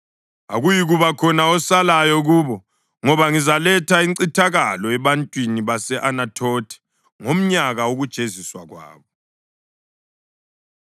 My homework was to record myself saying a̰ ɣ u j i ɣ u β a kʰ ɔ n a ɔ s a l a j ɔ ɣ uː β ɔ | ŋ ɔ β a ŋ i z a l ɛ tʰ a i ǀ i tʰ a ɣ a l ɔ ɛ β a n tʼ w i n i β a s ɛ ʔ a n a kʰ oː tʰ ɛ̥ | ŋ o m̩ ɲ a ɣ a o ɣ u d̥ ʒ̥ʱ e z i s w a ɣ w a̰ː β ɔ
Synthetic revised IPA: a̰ ɣ u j i ɣ u β a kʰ ɔ n a ɔ s a l a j ɔ ɣ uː β ɔ | ŋ ɔ β a ŋ i z a l ɛ tʰ a i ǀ i tʰ a ɣ a l ɔ ɛ β a n tʼ w i n i β a s ɛ ʔ a n a tʰ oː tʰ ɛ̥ | ŋ o m̩ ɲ a ɣ a o ɣ u d̥ ʒ̥ʱ e z i s w a ɣ w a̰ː β ɔ

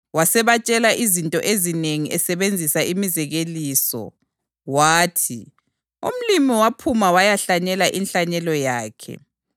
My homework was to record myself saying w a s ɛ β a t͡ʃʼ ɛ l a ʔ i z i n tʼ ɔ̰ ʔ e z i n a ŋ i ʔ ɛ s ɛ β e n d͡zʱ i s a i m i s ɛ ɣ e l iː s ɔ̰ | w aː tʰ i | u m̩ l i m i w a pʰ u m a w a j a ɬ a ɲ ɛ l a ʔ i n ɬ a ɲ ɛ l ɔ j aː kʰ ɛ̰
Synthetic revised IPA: w a s ɛ β a t͡ʃʼ ɛ l a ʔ i z i n tʼ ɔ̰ ʔ e z i n e ŋ i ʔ ɛ s ɛ β e n d͡zʱ i s a i m i z ɛ ɣ e l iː s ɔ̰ | w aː tʰ i | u m̩ l i m i w a pʰ u m a w a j a ɬ a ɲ ɛ l a ʔ i n ɬ a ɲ ɛ l ɔ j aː kʰ ɛ̰

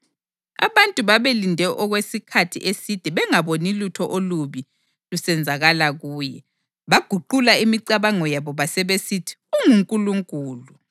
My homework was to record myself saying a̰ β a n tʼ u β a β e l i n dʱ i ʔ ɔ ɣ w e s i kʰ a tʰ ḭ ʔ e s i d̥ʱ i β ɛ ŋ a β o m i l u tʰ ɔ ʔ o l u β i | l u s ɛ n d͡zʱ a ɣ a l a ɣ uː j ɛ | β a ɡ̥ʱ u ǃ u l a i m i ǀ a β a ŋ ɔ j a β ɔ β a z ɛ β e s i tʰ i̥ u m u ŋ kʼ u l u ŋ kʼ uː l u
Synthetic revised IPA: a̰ β a n tʼ u β a β e l i n dʱ ɛ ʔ ɔ ɣ w e s i kʰ a tʰ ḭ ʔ e s i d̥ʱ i β ɛ ŋ a β o n i l u tʰ ɔ ʔ o l u β i | l u s ɛ n d͡zʱ a ɣ a l a ɣ uː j ɛ | β a ɡ̥ʱ u ǃ u l a i m i ǀ a β a ŋ ɔ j a β ɔ β a s ɛ β e s i tʰ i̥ u ŋ u ŋ kʼ u l u ŋ kʼ uː l u

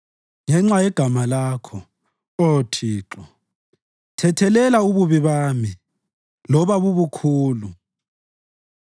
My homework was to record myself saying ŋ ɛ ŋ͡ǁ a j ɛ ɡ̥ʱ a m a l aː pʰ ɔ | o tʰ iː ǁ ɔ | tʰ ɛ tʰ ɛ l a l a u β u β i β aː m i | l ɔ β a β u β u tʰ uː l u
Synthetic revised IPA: ŋ ɛ ŋ͡ǁ a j ɛ ɡ̥ʱ a m a l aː kʰ ɔ | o tʰ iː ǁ ɔ | tʰ ɛ tʰ ɛ l ɛ l a u β u β i β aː m i | l ɔ β a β u β u kʰ uː l u

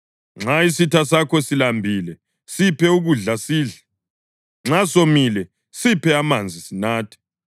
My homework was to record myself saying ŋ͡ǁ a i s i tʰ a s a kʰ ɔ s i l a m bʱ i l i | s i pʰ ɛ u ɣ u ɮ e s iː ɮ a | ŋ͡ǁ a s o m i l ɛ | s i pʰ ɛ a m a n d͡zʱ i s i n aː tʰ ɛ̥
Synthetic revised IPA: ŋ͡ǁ a i s i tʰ a s a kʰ ɔ s i l a m bʱ i l ɛ | s i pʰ ɛ u ɣ u ɮ a s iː ɮ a | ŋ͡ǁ a s o m i l ɛ | s i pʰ ɛ a m a n d͡zʱ i s i n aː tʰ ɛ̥

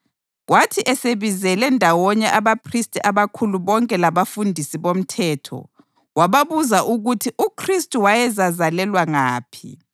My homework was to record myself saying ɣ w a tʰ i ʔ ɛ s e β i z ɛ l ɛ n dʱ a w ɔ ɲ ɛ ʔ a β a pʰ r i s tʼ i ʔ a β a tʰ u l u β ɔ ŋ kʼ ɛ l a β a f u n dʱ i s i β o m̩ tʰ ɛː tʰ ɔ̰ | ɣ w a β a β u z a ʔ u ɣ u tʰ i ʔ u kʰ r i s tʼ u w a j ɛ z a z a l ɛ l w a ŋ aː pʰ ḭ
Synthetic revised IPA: ɣ w a tʰ i ʔ ɛ s e β i z ɛ l ɛ n dʱ a w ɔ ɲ ɛ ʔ a β a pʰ r i s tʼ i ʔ a β a kʰ u l u β ɔ ŋ kʼ ɛ l a β a f u n dʱ i s i β o m̩ tʰ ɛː tʰ ɔ̰ | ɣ w a β a β u z a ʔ u ɣ u tʰ i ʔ u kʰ r i s tʼ u w a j ɛ z a z a l ɛ l w a ŋ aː pʰ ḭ

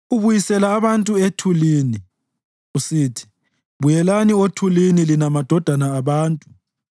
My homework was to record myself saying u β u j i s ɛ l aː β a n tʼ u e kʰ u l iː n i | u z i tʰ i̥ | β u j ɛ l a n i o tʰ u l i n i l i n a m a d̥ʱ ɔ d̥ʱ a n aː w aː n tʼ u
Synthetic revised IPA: u β u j i s ɛ l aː β a n tʼ u e tʰ u l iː n i | u s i tʰ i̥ | β u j ɛ l a n i o tʰ u l i n i l i n a m a d̥ʱ ɔ d̥ʱ a n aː β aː n tʼ u

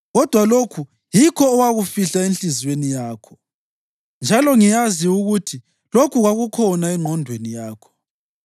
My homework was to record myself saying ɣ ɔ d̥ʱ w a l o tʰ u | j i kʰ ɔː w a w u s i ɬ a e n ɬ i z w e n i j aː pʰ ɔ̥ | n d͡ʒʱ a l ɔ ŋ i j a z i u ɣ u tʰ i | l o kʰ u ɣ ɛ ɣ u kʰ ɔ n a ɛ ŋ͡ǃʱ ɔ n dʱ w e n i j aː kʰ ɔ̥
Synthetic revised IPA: ɣ ɔ d̥ʱ w a l o kʰ u | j i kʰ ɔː w a ɣ u f i ɬ a e n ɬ i z w e n i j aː kʰ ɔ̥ | n d͡ʒʱ a l ɔ ŋ i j a z i u ɣ u tʰ i | l o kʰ u ɣ a ɣ u kʰ ɔ n a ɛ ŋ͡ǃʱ ɔ n dʱ w e n i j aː kʰ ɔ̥

